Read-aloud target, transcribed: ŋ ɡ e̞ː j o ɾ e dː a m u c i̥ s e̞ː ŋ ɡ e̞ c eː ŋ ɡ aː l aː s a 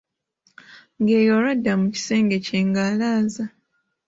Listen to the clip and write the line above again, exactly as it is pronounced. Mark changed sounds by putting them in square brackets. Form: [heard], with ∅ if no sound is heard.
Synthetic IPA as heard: ŋ ɡ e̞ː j o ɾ [a] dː a m u c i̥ s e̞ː ŋ ɡ e̞ c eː ŋ ɡ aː l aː [z] a